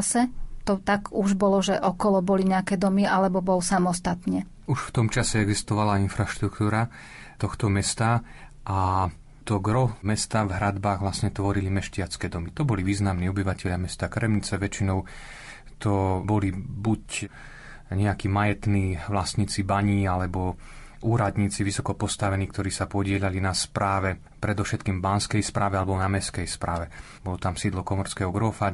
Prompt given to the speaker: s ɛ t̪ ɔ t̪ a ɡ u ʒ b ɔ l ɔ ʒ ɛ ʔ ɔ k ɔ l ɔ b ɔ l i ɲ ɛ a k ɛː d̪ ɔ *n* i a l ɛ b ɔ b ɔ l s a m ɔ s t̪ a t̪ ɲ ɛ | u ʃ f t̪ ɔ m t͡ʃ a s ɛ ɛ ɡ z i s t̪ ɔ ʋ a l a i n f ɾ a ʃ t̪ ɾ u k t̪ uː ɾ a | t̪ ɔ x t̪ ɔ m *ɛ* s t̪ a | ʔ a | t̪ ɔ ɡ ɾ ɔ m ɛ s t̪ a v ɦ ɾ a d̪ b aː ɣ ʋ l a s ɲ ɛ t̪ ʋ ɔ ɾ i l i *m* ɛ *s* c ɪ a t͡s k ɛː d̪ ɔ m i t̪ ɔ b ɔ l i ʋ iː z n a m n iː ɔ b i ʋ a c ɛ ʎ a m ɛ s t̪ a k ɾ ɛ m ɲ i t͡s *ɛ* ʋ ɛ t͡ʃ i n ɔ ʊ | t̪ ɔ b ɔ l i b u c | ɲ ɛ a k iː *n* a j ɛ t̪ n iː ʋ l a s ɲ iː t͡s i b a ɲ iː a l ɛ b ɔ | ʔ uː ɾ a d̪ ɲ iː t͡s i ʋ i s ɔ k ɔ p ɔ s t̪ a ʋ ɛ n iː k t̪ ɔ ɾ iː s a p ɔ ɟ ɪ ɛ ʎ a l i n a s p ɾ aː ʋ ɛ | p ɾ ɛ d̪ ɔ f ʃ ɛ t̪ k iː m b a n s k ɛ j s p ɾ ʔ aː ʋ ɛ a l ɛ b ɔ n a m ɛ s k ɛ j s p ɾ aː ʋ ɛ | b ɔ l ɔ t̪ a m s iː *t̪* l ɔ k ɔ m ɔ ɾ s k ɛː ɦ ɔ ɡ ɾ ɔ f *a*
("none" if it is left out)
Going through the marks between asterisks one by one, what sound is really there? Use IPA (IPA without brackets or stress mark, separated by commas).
m, ɛ, m, ʃ, ɛ, m, d̪, a